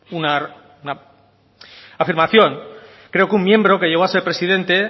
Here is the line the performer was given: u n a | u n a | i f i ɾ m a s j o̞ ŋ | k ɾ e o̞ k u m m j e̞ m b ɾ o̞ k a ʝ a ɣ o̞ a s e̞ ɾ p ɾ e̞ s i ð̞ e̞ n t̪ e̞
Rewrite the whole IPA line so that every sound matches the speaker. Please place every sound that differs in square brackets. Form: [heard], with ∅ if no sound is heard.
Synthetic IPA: u n a | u n a | [a] f i ɾ m a [θ] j o̞ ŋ | k ɾ e o̞ k u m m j e̞ m b ɾ o̞ k [e] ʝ [e] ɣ o̞ a s e̞ ɾ p ɾ e̞ s i ð̞ e̞ n t̪ e̞